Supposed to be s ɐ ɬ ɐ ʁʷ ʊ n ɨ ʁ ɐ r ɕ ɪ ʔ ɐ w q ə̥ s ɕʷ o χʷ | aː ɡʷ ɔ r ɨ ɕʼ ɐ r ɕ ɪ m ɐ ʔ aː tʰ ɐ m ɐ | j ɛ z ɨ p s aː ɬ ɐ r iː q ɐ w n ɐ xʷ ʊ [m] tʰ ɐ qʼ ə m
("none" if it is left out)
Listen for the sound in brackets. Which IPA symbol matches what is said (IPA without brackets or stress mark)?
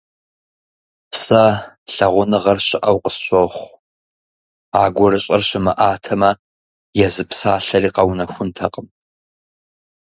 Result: n